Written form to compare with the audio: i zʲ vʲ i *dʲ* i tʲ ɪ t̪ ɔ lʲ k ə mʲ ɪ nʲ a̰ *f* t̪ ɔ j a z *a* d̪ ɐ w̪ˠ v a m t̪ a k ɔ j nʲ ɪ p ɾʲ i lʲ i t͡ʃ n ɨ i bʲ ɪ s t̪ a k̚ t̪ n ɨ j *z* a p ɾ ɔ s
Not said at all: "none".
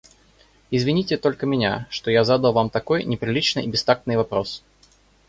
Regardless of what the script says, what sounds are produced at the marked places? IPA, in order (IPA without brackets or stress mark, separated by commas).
nʲ, ʂ, a, v